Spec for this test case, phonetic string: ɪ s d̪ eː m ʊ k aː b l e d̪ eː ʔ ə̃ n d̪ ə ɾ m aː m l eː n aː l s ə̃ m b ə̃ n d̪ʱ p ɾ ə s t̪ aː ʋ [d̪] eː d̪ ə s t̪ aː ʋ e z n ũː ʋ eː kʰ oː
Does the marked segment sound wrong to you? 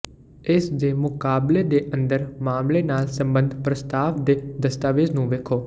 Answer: no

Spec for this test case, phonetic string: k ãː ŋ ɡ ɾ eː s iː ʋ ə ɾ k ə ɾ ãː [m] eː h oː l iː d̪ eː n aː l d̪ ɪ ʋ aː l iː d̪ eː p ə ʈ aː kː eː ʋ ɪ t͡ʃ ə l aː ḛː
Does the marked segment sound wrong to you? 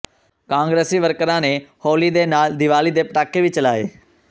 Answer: yes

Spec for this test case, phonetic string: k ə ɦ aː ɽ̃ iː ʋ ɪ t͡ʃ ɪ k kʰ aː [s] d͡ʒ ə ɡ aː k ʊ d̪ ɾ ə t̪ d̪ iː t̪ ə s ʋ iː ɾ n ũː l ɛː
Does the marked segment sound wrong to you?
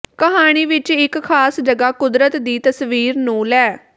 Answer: no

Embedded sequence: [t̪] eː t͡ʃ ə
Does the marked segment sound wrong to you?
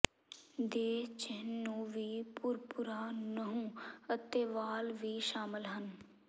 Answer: yes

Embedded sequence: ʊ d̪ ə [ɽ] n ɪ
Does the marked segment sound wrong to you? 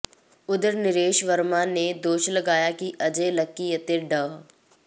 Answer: yes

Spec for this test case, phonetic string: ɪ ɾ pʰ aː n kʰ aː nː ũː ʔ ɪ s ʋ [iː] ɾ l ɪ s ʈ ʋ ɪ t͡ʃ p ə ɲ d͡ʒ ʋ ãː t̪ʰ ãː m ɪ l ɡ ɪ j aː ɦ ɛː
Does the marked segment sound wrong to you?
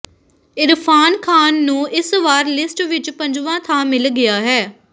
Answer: yes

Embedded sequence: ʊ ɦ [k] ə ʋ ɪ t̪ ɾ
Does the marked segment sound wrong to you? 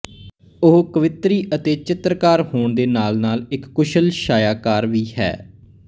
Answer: no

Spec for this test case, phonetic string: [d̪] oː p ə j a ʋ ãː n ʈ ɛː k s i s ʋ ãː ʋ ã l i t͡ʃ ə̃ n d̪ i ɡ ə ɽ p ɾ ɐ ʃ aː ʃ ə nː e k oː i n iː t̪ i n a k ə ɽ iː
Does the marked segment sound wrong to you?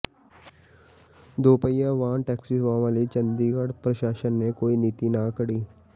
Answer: no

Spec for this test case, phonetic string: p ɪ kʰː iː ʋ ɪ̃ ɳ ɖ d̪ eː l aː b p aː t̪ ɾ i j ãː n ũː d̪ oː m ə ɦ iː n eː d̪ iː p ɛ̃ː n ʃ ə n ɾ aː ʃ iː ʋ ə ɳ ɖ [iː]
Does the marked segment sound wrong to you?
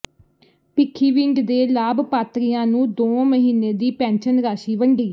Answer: no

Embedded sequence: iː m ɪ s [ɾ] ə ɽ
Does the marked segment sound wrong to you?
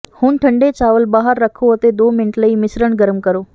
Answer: no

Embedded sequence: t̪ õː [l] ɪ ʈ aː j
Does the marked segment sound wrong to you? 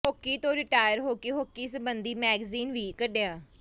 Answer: yes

